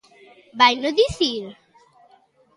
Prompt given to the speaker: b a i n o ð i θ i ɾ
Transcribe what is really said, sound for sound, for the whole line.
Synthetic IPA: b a j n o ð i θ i ɾ